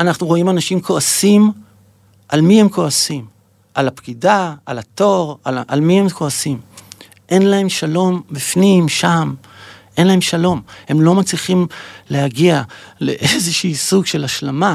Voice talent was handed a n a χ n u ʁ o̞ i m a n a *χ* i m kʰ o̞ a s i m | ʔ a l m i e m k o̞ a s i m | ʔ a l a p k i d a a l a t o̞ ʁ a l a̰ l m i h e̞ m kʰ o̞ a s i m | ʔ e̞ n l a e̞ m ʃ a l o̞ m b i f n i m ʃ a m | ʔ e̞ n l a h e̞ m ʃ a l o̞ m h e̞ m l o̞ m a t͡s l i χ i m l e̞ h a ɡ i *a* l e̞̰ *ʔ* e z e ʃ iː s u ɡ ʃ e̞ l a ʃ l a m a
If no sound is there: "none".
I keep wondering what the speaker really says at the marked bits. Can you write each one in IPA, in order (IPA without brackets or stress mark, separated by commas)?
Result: ʃ, a, ʔ